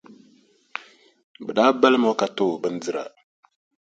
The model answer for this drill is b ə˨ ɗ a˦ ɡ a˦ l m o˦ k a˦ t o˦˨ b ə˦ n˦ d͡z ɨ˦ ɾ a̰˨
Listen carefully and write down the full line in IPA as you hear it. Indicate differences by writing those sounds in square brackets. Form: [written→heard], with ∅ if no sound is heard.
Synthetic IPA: b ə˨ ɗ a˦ [ɡ→b] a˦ l m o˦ k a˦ t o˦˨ b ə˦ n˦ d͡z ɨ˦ ɾ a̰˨

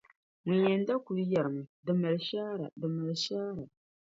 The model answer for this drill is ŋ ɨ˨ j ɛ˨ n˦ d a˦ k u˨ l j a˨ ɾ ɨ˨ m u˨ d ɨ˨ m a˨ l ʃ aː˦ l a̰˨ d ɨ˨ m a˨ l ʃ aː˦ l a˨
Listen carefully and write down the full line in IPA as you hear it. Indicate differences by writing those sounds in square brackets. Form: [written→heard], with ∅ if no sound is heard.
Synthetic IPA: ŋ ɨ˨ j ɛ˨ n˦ d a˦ k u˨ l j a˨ ɾ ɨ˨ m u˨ d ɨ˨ m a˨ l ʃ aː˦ [l→ɾ] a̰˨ d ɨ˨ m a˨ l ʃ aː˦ [l→ɾ] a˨

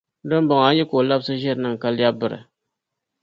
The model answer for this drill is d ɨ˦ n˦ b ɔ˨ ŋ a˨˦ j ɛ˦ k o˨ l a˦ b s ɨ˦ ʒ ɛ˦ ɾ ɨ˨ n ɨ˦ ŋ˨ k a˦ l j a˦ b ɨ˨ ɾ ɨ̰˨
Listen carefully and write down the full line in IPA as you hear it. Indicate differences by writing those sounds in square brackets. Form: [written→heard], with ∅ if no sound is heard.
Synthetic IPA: d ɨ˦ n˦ b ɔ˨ ŋ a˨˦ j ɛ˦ k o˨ l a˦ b s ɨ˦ ʒ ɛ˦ ɾ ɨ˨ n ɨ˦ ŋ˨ k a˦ l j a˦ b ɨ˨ ɾ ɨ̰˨

